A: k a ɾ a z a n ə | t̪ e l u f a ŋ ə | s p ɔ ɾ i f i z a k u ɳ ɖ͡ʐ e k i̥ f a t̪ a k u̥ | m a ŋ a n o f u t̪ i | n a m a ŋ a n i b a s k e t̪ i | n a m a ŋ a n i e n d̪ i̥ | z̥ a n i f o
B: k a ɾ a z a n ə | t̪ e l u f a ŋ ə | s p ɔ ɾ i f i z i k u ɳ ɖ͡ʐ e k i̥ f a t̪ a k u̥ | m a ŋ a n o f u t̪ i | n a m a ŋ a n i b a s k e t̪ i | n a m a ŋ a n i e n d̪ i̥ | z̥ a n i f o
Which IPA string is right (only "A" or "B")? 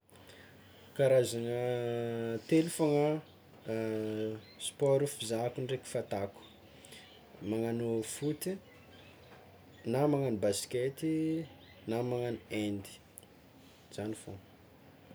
A